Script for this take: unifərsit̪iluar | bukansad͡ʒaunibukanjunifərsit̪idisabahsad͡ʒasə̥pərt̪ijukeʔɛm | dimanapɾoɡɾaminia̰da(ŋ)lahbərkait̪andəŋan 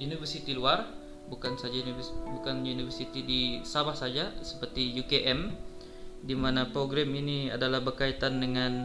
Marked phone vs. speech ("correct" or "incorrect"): incorrect